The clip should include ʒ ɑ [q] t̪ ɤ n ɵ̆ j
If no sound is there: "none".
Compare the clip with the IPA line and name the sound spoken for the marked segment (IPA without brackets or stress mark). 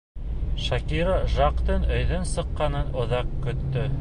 q